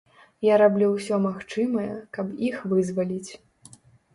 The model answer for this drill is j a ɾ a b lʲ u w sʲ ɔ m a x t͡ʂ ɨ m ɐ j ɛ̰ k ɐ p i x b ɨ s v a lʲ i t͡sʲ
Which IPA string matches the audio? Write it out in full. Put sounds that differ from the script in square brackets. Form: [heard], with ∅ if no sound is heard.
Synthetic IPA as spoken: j a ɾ a b lʲ u w sʲ ɔ m a x t͡ʂ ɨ m ɐ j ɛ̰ k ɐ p i x [v] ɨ [z] v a lʲ i t͡sʲ